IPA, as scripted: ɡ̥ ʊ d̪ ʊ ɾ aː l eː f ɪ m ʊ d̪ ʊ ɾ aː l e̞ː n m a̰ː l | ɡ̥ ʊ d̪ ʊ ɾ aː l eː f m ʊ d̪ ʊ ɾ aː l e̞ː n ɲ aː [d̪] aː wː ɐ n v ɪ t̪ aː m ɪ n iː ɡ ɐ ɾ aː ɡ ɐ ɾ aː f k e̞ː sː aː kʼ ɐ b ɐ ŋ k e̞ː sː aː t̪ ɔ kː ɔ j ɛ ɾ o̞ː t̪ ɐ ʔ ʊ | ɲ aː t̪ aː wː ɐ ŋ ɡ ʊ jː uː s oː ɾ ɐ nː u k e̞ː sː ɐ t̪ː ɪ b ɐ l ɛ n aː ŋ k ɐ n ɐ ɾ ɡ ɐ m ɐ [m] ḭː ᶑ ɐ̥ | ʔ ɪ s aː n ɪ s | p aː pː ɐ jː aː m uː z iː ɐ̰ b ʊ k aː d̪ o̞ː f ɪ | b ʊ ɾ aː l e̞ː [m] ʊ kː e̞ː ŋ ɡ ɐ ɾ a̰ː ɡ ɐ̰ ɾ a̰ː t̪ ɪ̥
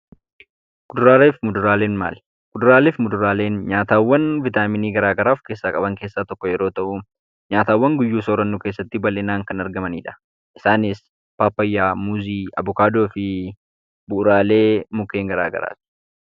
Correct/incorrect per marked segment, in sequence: incorrect: t̪, incorrect: n, correct

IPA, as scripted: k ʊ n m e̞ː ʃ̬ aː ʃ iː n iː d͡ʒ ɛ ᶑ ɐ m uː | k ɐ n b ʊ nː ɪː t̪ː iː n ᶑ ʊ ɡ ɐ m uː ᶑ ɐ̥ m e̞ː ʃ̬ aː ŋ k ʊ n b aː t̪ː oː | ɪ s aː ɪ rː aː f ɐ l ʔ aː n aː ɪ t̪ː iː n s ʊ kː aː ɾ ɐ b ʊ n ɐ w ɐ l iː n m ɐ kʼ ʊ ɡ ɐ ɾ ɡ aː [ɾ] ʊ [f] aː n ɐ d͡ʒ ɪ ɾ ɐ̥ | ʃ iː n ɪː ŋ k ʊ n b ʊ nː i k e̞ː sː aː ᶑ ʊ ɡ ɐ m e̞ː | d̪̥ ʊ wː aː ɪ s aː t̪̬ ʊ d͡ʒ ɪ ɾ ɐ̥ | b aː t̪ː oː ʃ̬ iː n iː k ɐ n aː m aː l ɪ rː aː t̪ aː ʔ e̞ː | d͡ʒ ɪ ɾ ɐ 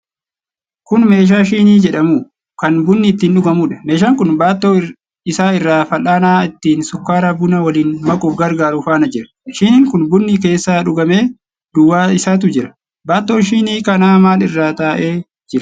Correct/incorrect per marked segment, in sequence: correct, correct

